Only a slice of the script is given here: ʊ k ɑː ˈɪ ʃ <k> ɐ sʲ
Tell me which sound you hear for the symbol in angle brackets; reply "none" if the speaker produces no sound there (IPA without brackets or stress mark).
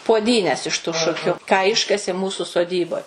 k